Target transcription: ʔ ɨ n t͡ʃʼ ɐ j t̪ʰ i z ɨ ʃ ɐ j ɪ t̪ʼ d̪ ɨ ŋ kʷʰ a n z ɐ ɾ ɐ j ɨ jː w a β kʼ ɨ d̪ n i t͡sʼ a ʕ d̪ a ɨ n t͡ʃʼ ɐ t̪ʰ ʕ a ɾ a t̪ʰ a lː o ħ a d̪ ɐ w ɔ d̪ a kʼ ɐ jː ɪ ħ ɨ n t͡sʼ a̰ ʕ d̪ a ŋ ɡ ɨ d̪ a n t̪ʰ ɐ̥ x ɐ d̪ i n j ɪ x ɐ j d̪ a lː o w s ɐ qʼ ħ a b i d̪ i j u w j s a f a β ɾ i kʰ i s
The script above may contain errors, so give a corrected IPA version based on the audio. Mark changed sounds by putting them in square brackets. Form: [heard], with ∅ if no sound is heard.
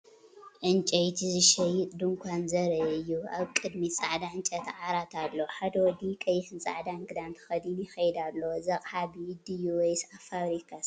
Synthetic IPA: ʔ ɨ n t͡ʃʼ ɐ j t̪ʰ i z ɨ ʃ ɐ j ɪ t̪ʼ d̪ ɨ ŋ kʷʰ a n z ɐ ɾ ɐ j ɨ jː [u] a β kʼ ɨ d̪ [m] i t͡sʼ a ʕ d̪ a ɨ n t͡ʃʼ ɐ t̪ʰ ʕ a ɾ a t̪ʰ a lː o ħ a d̪ ɐ w ɔ d̪ [i] kʼ ɐ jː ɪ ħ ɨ n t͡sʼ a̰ ʕ d̪ a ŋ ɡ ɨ d̪ a n t̪ʰ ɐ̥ x ɐ d̪ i n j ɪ x ɐ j d̪ a lː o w [z] ɐ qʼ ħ a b i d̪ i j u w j s a f a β ɾ i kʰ [a] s